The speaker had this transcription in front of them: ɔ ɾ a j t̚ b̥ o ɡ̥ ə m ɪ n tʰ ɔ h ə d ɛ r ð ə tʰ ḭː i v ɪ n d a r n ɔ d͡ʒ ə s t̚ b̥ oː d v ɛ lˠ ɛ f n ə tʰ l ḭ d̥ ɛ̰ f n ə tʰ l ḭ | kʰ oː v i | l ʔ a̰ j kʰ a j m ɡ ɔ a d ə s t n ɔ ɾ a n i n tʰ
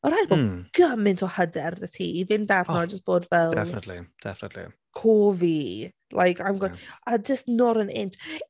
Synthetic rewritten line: ɔ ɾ a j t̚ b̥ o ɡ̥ ə m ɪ n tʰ ɔ h ə d ɛ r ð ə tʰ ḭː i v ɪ n d a r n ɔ d͡ʒ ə s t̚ b̥ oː d v ɛ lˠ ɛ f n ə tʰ l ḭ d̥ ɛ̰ f n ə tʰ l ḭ | kʰ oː v i | l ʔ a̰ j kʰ a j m ɡ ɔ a d͡ʒ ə s t n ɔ ɾ ə n ɪ n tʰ